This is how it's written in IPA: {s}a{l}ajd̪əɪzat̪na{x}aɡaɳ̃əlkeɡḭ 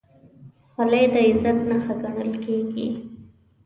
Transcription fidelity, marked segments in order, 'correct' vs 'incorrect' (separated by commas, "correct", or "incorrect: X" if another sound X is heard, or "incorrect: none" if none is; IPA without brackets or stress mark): incorrect: x, correct, correct